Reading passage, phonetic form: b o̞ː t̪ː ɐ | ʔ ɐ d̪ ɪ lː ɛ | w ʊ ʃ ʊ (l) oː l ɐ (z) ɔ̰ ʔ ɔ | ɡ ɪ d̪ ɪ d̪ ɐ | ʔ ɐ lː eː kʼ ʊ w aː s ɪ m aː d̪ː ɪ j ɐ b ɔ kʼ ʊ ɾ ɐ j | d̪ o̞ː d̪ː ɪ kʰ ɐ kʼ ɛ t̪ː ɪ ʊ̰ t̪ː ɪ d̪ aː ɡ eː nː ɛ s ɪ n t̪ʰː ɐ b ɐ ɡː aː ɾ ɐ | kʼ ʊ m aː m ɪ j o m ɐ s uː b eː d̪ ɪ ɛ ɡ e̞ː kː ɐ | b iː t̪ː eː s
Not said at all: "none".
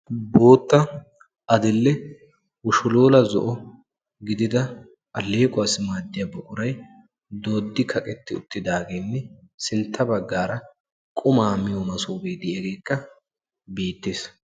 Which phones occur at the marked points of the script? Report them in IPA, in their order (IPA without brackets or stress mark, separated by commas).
l, z